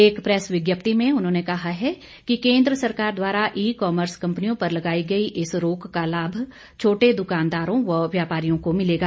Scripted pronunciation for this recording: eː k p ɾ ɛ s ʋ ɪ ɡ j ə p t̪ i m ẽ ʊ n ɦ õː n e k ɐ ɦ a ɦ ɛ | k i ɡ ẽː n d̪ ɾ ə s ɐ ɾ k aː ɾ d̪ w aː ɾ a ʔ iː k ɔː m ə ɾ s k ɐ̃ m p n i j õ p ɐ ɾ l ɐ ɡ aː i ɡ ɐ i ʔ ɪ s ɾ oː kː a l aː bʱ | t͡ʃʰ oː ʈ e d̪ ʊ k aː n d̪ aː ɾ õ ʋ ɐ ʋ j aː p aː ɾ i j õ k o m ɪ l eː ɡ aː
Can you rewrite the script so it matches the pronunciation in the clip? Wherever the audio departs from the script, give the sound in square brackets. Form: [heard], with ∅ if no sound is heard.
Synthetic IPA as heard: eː k p ɾ ɛ s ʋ ɪ ɡ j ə p t̪ i m ẽ ʊ n ɦ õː n e k ɐ ɦ a ɦ ɛ | k i [k] ẽː n d̪ ɾ ə s ɐ ɾ k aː ɾ d̪ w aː ɾ a ʔ iː k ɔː m ə ɾ s k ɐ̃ m p n i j õ p ɐ ɾ l ɐ ɡ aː i ɡ ɐ i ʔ ɪ s ɾ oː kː a l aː bʱ | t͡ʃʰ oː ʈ e d̪ ʊ k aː n d̪ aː ɾ õ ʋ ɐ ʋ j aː p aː ɾ i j õ k o m ɪ l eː ɡ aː

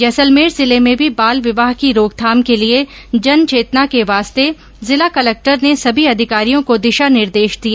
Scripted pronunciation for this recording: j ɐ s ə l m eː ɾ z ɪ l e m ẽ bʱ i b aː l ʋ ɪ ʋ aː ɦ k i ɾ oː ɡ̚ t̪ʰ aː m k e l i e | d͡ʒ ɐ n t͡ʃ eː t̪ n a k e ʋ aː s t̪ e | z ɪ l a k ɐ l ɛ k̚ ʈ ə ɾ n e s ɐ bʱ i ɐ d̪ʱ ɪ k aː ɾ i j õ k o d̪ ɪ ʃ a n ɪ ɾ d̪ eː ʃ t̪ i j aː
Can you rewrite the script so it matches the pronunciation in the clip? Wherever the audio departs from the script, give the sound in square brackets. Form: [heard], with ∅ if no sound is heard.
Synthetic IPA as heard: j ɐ s ə l m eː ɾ z ɪ l e m ẽ bʱ i b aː l ʋ ɪ ʋ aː ɦ k i ɾ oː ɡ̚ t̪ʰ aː m k e l i e | d͡ʒ ɐ n t͡ʃ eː t̪ n a k e ʋ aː s t̪ e | z ɪ l a k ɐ l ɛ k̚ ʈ ə ɾ n e s ɐ bʱ i ɐ d̪ʱ ɪ k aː ɾ i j õ k o d̪ ɪ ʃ a n ɪ ɾ d̪ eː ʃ [d̪] i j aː

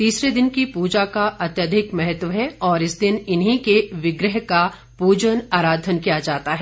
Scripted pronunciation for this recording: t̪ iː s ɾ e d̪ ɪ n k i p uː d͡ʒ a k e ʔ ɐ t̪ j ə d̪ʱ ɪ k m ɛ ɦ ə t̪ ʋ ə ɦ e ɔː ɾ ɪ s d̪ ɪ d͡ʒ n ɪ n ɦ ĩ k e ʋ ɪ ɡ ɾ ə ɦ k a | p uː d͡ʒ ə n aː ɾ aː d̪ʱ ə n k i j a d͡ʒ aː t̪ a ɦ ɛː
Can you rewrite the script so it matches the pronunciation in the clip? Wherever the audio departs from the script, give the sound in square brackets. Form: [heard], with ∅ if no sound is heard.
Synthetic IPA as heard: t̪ iː s ɾ e d̪ ɪ n k i p uː d͡ʒ a k [a] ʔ ɐ t̪ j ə d̪ʱ ɪ k m ɛ ɦ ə t̪ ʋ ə ɦ [ɛ] ɔː ɾ ɪ s d̪ ɪ [∅] n ɪ n ɦ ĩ k e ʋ ɪ ɡ ɾ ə ɦ k a | p uː d͡ʒ ə n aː ɾ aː d̪ʱ ə n k i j a d͡ʒ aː t̪ a ɦ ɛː

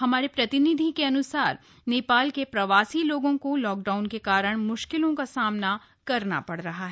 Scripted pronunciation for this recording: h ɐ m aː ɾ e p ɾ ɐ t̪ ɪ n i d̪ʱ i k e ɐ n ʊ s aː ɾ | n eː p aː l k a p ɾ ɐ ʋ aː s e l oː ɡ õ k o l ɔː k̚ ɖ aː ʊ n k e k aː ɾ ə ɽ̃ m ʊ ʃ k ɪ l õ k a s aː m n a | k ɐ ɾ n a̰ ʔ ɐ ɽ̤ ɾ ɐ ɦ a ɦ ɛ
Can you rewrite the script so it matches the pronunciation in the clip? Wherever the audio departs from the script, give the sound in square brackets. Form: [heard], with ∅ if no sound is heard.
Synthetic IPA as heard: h ɐ m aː ɾ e p ɾ ɐ t̪ ɪ n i d̪ʱ i k e ɐ n ʊ s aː ɾ | n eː p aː l k [e] p ɾ ɐ ʋ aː s [i] l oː ɡ õ k o l ɔː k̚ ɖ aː ʊ n k e k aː ɾ ə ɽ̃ m ʊ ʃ k ɪ l õ k a s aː m n a | k ɐ ɾ n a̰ [p] ɐ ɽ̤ ɾ ɐ ɦ a ɦ ɛ

